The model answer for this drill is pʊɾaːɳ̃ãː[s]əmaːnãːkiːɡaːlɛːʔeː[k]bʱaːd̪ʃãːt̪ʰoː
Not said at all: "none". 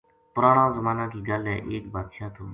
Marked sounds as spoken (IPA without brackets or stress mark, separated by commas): z, k